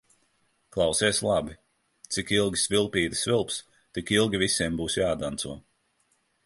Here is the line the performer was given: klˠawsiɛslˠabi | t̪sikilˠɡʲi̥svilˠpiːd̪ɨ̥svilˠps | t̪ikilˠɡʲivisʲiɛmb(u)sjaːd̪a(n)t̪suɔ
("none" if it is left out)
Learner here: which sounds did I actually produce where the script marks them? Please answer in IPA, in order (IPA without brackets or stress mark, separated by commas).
uː, n